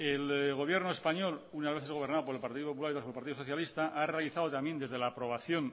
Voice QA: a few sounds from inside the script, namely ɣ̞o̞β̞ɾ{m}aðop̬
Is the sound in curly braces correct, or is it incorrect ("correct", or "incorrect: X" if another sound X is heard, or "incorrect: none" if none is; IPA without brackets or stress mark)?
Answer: incorrect: n